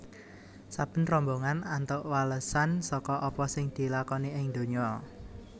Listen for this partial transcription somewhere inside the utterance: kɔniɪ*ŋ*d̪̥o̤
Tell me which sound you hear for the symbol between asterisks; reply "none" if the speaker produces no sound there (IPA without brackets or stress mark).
ŋ